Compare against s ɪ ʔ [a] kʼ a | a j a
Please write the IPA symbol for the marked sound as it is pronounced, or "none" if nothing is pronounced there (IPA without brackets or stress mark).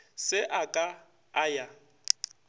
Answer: a